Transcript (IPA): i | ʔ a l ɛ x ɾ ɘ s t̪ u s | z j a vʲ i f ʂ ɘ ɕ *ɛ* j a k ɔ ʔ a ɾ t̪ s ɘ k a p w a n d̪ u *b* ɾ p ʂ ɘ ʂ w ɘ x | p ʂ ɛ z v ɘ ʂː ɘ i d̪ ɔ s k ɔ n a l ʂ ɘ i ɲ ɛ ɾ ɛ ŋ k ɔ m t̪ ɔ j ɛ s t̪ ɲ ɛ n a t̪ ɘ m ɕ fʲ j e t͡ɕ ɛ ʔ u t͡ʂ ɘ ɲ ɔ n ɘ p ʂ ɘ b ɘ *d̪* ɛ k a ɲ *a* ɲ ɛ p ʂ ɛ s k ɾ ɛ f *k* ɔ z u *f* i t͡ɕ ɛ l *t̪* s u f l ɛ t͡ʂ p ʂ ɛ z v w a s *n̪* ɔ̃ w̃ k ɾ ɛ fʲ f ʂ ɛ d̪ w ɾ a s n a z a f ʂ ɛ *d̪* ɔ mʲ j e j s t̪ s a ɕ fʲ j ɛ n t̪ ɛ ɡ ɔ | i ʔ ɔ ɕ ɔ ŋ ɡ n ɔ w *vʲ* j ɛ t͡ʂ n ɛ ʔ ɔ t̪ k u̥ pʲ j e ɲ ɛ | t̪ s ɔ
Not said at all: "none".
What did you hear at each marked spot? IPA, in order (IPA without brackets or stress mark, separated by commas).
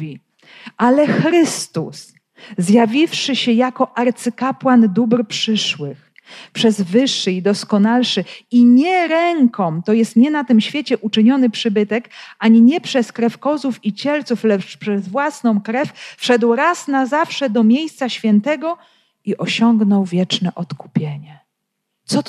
ɛ, b, t̪, i, k, f, t̪, n̪, d̪, vʲ